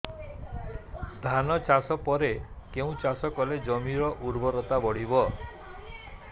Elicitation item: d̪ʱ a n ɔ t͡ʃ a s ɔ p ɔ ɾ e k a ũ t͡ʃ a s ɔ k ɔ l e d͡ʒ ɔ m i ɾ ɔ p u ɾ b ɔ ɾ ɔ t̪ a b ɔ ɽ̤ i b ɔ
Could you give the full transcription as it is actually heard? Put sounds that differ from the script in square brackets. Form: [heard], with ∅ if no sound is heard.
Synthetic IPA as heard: d̪ʱ a n ɔ t͡ʃ a s ɔ p ɔ ɾ e k [e] ũ t͡ʃ a s ɔ k ɔ l e d͡ʒ ɔ m i ɾ ɔ [ʔ] u ɾ b ɔ ɾ ɔ t̪ a b ɔ ɽ̤ i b ɔ